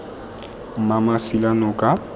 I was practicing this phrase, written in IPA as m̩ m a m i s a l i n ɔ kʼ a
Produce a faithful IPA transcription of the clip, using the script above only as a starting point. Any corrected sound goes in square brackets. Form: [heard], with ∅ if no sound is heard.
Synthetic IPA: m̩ m a m [a] s [i] l [a] n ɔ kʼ a